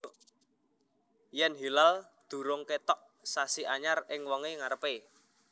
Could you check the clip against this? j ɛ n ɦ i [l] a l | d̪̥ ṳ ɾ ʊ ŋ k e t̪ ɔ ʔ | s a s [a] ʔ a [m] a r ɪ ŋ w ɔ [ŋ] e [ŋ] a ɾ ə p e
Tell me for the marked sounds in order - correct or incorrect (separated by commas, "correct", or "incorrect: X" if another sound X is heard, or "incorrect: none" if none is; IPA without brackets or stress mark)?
correct, incorrect: i, incorrect: ɲ, correct, correct